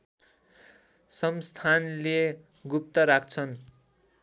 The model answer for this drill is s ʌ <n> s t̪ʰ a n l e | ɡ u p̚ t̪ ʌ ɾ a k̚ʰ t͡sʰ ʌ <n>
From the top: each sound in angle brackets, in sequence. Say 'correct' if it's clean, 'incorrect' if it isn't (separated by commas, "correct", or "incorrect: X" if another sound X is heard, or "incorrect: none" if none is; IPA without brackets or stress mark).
incorrect: m, correct